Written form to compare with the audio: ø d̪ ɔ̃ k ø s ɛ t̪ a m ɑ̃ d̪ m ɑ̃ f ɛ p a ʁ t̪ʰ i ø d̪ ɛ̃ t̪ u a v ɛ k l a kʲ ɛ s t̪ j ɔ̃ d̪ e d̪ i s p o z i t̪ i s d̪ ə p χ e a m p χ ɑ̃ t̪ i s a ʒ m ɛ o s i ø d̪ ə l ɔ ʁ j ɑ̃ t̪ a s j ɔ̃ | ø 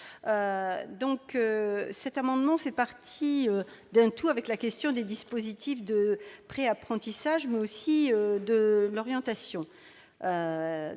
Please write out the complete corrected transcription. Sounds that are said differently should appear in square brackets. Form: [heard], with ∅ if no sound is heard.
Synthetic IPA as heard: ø d̪ ɔ̃ k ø s ɛ t̪ a m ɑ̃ d̪ m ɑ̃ f ɛ p a ʁ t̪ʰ i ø d̪ ɛ̃ t̪ u a v ɛ k l a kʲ ɛ s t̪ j ɔ̃ d̪ e d̪ i s p o z i t̪ i [f] d̪ ə p χ e a [∅] p χ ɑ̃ t̪ i s a ʒ m ɛ o s i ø d̪ ə l ɔ ʁ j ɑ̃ t̪ a s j ɔ̃ | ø